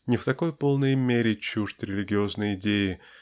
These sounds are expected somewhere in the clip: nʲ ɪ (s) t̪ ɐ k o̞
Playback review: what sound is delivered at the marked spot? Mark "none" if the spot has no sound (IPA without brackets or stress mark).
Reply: f